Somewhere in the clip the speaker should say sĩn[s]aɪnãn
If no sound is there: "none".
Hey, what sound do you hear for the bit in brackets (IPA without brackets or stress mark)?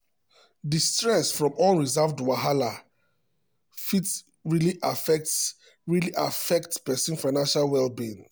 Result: f